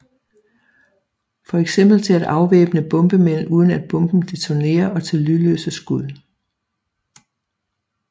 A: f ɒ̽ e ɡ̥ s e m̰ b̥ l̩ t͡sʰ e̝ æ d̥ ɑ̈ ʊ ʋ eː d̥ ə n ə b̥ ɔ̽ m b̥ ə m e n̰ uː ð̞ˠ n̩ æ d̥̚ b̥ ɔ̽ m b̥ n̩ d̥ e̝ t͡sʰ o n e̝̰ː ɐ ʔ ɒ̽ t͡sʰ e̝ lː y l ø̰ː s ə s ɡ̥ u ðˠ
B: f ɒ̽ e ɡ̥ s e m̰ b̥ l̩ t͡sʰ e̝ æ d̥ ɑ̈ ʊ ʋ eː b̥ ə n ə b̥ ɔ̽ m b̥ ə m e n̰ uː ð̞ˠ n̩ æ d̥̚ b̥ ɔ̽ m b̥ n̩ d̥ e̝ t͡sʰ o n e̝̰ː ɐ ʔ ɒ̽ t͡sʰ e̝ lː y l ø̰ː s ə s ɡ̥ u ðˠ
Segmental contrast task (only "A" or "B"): B